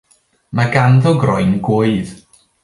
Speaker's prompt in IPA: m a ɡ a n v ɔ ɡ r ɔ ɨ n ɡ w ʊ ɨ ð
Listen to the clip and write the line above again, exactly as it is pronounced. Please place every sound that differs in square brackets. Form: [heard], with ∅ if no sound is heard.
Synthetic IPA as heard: m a ɡ a n [ð] ɔ ɡ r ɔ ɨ n ɡ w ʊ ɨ ð